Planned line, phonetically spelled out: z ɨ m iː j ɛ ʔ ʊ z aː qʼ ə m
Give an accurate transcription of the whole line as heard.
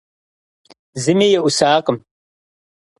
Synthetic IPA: z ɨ m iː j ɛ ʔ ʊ s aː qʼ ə m